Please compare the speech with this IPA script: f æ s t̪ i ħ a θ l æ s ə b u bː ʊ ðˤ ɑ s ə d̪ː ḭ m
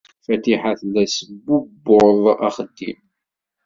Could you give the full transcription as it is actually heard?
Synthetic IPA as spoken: f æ t̪ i ħ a θ l æ s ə b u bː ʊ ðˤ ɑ χ ə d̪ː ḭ m